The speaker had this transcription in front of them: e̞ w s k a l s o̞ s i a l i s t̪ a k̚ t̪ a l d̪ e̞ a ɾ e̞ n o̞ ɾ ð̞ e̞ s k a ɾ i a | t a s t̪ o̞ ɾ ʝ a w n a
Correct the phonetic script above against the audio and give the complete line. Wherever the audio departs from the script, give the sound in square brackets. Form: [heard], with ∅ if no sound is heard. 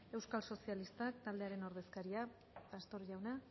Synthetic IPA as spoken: e̞ w s k a l s o̞ s i a l i s t̪ a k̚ t̪ a l d̪ e̞ a ɾ e̞ n o̞ ɾ ð̞ e̞ s k a ɾ i a | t a s t̪ o̞ ɾ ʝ a w n a